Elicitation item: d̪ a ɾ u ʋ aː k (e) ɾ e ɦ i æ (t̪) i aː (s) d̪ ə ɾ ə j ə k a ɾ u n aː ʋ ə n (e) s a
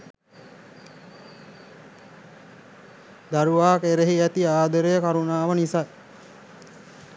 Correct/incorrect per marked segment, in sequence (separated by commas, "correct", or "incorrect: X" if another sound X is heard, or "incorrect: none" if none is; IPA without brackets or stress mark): correct, correct, incorrect: none, incorrect: i